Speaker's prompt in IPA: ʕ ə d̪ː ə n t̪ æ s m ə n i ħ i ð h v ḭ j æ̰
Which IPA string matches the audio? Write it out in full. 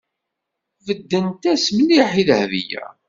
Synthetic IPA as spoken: v ə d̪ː ə n t̪ æ s m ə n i ħ i ð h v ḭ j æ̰